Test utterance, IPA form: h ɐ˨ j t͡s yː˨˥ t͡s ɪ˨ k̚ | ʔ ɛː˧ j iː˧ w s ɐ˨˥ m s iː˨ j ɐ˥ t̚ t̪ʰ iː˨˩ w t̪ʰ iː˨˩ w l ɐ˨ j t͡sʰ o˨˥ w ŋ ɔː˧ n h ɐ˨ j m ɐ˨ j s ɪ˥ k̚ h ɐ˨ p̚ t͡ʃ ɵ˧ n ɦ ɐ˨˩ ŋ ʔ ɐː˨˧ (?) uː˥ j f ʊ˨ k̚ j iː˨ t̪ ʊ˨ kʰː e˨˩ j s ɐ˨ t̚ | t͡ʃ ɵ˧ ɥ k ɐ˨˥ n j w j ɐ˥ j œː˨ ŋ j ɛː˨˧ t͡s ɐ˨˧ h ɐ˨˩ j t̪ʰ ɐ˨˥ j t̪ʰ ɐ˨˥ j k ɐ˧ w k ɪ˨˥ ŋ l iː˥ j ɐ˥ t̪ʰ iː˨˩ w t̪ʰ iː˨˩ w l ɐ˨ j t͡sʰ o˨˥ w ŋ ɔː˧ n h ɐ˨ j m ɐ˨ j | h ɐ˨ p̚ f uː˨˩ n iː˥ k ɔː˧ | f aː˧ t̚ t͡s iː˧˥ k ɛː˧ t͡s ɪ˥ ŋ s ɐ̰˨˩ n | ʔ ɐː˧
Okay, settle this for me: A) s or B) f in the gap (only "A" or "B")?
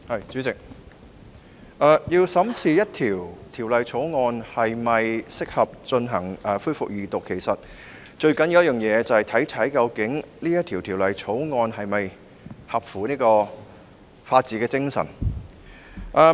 B